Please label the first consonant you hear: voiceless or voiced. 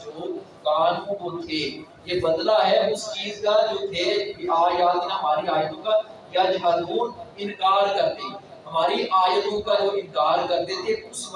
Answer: voiced